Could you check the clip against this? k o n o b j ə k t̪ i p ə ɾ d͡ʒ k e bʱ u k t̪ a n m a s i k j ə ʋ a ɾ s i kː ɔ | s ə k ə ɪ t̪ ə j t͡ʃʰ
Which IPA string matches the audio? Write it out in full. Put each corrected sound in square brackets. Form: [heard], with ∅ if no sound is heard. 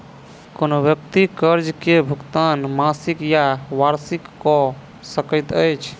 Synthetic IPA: k o n o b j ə k t̪ i [k] ə ɾ d͡ʒ k e bʱ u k t̪ a n m a s i k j [a] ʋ a ɾ s i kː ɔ | s ə k ə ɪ t̪ ə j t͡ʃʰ